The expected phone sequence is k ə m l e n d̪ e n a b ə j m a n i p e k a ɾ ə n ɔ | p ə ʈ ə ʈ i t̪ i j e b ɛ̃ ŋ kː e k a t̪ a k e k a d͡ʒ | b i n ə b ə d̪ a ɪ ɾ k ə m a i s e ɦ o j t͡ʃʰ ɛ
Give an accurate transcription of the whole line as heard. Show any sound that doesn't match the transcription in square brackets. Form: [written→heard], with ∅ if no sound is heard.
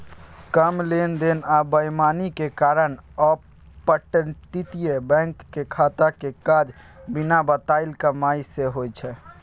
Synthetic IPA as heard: k ə m l e n d̪ e n a b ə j m a n i [p→k] e k a ɾ ə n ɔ | p ə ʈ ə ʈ i t̪ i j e b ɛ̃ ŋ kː e [k→kʰ] a t̪ a k e k a d͡ʒ | b i n [ə→a] b ə [d̪→t̪] a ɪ [ɾ→l] k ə m a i s e ɦ o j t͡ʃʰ ɛ